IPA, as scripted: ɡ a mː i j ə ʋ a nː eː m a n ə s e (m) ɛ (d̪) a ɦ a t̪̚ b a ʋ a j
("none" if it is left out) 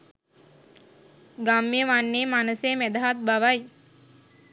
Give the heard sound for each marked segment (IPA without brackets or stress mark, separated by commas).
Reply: m, d̪